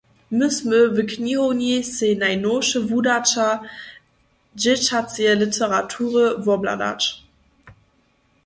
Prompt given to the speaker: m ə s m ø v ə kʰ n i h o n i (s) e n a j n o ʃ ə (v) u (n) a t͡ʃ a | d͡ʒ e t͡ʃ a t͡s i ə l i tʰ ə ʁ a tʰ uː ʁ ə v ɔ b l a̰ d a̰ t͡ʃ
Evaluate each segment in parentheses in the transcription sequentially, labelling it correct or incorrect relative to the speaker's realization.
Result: correct, correct, incorrect

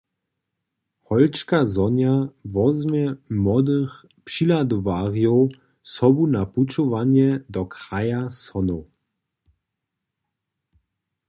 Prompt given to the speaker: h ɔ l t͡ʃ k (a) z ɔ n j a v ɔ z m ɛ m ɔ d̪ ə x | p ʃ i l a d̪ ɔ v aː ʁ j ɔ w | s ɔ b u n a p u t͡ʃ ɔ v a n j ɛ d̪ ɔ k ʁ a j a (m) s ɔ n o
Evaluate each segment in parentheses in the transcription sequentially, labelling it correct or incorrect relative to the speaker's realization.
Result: correct, incorrect

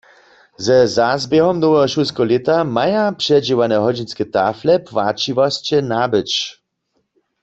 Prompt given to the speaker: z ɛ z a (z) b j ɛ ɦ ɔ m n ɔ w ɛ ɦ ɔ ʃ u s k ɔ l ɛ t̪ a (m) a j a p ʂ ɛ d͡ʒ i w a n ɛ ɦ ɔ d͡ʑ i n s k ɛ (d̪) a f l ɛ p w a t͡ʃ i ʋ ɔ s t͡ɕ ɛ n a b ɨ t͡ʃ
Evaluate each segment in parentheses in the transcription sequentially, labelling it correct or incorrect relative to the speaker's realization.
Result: correct, correct, incorrect

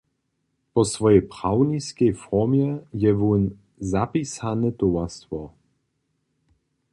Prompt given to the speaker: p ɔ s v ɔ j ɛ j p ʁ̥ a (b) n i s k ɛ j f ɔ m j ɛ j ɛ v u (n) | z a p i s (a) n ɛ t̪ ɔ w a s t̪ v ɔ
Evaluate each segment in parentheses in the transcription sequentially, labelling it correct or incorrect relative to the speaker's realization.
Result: incorrect, correct, correct

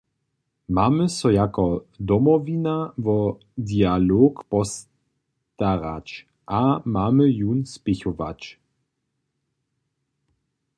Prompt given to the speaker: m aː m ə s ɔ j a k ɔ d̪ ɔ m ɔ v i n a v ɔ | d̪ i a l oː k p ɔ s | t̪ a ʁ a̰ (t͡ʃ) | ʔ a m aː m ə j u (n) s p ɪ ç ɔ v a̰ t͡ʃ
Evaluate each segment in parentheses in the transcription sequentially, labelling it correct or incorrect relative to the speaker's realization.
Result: correct, correct

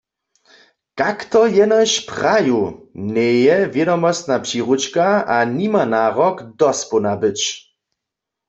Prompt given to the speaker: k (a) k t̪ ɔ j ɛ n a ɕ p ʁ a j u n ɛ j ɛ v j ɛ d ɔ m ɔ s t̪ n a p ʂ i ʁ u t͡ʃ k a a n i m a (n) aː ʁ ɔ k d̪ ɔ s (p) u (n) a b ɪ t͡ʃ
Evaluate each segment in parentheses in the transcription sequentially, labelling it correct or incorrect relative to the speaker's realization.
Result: correct, correct, correct, correct

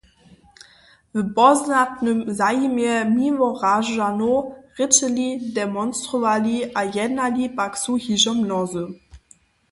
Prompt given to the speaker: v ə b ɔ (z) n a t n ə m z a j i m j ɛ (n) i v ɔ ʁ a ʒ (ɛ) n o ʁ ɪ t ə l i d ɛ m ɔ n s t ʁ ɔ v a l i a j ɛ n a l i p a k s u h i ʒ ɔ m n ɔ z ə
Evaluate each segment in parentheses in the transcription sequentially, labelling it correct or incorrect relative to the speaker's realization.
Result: correct, incorrect, incorrect

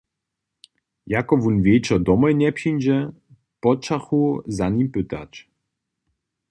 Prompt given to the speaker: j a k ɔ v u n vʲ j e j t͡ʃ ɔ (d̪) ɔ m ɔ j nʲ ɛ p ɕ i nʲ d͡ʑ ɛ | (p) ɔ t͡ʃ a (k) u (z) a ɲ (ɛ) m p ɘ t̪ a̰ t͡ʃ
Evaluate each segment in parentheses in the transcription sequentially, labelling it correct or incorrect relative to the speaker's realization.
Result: correct, correct, incorrect, correct, incorrect

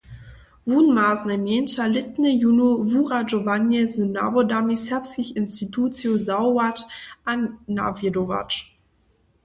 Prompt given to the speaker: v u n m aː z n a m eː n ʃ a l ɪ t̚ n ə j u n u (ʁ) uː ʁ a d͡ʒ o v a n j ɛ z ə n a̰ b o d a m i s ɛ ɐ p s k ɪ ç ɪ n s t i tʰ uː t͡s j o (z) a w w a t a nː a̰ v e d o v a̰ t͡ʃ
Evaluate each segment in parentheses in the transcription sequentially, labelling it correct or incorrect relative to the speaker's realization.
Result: incorrect, correct

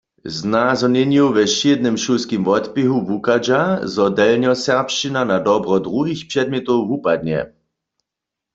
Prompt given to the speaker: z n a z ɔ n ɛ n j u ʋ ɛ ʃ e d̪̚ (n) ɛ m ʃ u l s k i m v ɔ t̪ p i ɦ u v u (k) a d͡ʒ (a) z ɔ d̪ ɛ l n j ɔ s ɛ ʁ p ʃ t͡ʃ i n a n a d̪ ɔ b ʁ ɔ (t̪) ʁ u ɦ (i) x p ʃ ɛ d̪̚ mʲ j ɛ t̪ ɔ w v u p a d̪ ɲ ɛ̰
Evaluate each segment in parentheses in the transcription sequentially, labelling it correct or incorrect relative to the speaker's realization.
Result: correct, correct, correct, incorrect, correct

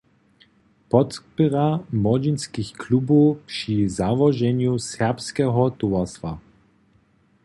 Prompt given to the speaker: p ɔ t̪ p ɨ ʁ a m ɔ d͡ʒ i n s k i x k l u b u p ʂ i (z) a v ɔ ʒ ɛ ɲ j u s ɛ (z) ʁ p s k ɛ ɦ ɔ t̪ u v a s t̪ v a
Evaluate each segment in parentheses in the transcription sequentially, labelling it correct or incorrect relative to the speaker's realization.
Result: correct, incorrect

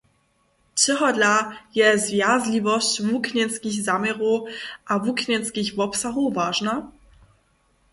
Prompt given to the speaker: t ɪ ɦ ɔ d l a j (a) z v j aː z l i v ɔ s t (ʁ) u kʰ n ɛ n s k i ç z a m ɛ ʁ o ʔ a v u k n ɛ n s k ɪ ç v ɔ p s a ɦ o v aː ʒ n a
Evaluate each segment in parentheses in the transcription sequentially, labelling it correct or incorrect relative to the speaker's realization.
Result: incorrect, incorrect

